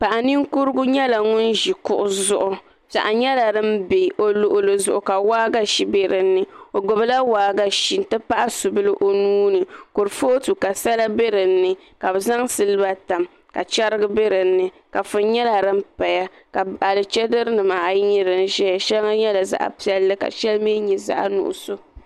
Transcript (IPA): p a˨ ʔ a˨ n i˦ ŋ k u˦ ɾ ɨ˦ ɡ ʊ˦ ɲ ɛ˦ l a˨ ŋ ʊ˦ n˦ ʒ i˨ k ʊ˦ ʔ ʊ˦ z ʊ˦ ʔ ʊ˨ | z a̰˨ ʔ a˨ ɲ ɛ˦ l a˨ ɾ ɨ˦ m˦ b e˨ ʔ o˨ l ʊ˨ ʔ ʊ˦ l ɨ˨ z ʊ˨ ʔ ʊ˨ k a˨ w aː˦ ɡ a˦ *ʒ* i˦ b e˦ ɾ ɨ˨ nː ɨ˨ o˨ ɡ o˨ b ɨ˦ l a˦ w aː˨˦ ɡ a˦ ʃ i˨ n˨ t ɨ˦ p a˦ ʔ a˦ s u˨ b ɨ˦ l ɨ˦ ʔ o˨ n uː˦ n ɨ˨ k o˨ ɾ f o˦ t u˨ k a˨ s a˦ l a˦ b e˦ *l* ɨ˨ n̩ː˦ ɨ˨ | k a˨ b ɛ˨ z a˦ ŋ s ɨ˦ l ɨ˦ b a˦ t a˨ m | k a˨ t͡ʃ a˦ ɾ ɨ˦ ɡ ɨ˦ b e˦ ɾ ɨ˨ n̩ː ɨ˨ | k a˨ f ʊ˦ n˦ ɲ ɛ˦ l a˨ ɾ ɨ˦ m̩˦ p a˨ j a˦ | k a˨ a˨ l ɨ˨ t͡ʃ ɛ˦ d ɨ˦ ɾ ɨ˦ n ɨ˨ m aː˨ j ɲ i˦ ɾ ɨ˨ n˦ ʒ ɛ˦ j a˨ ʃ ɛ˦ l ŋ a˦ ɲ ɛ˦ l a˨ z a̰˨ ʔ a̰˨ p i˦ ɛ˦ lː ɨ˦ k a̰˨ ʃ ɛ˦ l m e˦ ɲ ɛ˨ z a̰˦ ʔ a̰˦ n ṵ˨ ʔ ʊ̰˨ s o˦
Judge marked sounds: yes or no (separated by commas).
no, no